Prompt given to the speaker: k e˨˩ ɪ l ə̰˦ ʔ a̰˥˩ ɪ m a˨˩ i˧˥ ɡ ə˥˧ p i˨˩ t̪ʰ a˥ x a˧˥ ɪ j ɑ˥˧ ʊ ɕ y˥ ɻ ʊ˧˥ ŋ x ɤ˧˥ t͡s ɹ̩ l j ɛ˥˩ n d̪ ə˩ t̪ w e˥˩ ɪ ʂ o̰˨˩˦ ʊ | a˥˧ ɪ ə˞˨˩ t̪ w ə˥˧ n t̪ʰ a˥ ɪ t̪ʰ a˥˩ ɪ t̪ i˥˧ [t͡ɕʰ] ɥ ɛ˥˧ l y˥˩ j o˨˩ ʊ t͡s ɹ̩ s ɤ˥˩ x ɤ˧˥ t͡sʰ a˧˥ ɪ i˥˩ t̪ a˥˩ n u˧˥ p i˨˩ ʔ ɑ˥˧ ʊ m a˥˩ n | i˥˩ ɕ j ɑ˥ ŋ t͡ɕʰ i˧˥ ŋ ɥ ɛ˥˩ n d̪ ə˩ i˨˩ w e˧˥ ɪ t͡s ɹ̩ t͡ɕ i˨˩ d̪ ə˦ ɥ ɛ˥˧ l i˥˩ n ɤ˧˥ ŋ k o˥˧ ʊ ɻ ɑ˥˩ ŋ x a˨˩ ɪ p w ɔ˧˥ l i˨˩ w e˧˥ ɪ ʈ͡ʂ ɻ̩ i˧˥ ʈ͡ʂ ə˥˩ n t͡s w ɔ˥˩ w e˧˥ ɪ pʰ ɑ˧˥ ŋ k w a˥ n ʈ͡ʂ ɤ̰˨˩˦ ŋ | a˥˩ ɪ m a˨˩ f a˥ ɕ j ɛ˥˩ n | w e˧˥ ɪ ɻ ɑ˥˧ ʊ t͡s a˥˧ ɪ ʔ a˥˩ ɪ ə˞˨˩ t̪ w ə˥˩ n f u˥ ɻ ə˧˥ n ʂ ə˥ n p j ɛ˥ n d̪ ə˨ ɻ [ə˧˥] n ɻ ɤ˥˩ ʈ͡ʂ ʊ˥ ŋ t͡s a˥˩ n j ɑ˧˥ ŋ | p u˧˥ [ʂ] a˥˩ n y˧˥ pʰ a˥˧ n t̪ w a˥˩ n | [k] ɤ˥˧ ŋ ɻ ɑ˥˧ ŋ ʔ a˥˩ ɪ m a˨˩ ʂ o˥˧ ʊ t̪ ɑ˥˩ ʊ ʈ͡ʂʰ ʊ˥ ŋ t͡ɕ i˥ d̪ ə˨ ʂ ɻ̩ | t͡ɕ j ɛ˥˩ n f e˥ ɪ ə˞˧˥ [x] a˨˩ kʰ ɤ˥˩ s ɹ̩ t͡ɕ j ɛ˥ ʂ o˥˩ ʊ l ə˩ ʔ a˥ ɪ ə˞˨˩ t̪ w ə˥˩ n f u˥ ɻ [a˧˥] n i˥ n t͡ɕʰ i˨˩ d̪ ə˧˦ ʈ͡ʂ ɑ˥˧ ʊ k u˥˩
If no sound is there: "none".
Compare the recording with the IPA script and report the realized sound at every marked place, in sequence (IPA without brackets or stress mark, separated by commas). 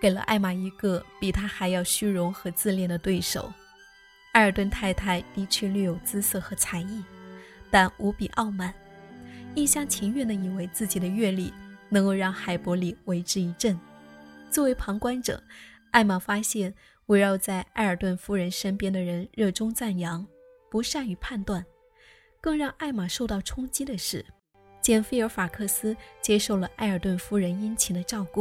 t͡ɕʰ, ə˧˥, ʂ, k, f, ə˧˥